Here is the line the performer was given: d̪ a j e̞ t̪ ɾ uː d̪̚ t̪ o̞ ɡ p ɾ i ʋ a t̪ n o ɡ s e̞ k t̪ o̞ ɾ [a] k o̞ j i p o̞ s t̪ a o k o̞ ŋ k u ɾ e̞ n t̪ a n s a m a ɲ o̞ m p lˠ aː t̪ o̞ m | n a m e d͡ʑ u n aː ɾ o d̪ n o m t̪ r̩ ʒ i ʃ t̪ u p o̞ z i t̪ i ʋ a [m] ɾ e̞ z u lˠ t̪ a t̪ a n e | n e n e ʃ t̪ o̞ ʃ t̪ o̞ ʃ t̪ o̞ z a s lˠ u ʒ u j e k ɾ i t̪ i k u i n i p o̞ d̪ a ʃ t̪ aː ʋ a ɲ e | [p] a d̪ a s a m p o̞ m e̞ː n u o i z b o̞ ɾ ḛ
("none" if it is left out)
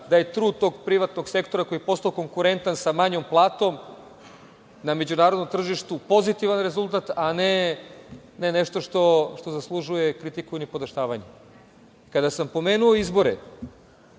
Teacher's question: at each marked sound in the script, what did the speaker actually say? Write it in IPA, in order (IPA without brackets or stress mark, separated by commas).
a, n, k